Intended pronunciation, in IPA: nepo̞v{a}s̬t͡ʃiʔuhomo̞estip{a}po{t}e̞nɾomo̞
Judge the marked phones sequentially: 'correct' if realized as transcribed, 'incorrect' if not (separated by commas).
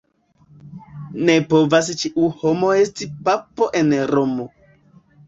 correct, correct, incorrect